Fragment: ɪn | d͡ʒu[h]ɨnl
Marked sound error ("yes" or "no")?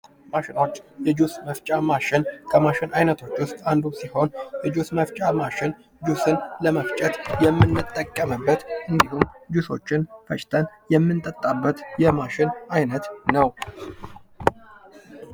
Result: yes